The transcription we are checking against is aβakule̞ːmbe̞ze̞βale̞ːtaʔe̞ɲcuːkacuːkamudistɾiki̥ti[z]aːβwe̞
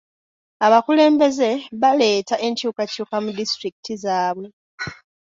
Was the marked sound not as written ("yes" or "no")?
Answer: no